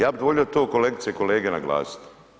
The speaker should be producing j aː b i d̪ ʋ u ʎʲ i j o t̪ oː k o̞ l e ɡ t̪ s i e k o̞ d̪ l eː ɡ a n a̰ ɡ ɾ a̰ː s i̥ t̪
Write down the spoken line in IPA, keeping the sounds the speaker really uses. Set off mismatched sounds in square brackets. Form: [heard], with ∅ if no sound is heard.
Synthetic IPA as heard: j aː b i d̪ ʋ [o] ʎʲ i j o t̪ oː k o̞ l e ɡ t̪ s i e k o̞ [∅] l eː ɡ [e] n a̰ ɡ [l] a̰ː s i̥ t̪